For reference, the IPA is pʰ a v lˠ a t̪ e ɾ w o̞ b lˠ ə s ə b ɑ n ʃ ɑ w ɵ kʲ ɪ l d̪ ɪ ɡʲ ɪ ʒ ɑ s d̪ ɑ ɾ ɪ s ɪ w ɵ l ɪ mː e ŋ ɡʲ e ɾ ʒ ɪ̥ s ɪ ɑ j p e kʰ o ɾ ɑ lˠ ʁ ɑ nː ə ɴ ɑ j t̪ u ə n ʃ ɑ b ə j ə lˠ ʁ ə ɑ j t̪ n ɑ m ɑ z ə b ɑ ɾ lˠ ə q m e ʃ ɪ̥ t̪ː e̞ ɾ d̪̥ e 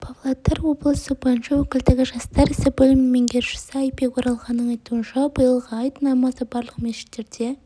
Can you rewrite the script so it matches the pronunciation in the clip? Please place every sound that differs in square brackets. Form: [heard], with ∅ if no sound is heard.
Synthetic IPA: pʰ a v lˠ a t̪ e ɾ w o̞ b lˠ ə s ə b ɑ n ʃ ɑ w ɵ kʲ ɪ l d̪ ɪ ɡʲ ɪ ʒ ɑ s [t̪] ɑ ɾ ɪ s ɪ [b] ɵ l ɪ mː e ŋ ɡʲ e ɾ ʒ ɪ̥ s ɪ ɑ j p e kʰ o ɾ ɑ lˠ ʁ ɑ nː ə ɴ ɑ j t̪ u ə n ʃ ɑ b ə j ə lˠ ʁ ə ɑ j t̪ n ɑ m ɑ z ə b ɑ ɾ lˠ ə q m e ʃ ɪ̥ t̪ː e̞ ɾ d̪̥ e